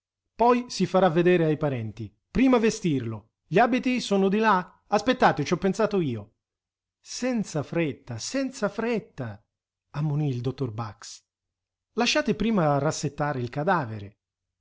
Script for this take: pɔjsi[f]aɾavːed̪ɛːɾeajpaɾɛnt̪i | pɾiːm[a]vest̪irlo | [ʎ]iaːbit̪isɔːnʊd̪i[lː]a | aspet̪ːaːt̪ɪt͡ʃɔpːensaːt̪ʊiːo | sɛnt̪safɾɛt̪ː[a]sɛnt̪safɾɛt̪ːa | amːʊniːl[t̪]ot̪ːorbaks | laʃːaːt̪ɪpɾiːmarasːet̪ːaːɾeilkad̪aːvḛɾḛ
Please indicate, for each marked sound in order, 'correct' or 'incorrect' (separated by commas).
correct, correct, correct, incorrect, correct, incorrect